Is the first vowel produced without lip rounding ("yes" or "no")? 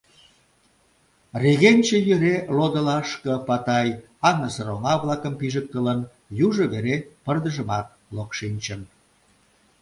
yes